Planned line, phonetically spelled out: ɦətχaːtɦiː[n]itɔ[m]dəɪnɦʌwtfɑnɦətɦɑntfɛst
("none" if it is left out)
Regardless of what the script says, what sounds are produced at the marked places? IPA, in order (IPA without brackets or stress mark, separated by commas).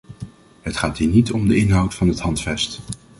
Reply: n, m